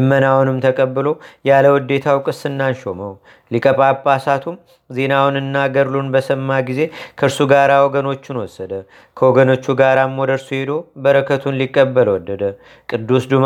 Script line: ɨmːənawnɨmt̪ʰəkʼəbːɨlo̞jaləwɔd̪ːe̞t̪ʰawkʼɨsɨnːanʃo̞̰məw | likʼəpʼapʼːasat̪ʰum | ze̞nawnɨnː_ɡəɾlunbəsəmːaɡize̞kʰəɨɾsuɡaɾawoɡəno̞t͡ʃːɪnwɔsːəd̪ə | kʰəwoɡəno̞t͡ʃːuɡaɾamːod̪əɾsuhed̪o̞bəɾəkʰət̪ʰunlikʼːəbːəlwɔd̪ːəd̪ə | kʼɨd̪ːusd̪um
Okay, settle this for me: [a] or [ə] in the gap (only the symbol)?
a